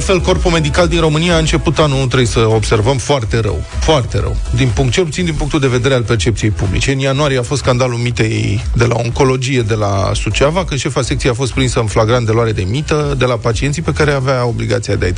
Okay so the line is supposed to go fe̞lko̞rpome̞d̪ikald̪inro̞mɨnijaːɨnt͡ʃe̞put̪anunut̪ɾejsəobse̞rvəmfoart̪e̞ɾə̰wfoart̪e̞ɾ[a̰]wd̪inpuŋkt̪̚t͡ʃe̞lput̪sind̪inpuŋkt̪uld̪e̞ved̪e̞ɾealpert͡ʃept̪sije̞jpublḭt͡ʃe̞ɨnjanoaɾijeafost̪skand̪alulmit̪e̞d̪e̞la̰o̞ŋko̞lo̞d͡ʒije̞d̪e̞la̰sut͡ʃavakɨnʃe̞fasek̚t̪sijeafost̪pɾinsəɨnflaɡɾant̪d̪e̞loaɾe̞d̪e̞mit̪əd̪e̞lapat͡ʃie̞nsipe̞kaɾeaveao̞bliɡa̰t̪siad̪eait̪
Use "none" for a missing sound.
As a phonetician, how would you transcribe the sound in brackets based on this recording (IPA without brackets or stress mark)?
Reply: ə̰